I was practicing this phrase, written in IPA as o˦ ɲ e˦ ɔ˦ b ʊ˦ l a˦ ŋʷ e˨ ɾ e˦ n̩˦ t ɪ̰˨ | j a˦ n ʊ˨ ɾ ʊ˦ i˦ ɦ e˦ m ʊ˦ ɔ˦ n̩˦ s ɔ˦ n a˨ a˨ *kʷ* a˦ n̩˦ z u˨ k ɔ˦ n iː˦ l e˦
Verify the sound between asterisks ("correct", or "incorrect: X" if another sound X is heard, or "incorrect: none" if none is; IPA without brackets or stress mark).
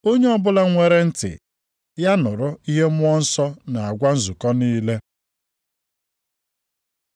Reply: incorrect: ɡʷ